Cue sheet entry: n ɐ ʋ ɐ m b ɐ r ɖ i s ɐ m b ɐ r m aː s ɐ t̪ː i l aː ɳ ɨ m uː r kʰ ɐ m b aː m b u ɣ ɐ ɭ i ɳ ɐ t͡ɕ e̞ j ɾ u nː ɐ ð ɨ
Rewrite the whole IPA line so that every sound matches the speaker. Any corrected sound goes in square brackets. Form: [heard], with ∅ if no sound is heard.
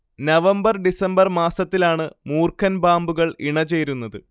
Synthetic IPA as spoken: n ɐ ʋ ɐ m b ɐ r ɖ i s ɐ m b ɐ r m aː s ɐ t̪ː i l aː ɳ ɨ m uː r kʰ ɐ [n] b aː m b u ɣ ɐ ɭ i ɳ ɐ t͡ɕ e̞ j ɾ u nː ɐ ð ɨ